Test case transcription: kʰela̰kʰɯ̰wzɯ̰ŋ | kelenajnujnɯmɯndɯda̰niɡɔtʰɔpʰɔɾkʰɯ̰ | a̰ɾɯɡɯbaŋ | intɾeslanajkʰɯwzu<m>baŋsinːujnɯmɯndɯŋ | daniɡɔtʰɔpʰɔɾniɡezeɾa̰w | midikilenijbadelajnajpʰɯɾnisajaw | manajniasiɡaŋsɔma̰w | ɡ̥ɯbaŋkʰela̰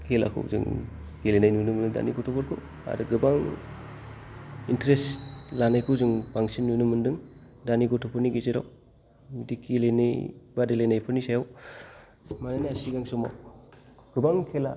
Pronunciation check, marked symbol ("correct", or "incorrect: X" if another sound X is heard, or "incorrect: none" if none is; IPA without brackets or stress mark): incorrect: ŋ